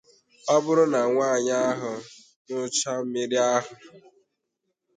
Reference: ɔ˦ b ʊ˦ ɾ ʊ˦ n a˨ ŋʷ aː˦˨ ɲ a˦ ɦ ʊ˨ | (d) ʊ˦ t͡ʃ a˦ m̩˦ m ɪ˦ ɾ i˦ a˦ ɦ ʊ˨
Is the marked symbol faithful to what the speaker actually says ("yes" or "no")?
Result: no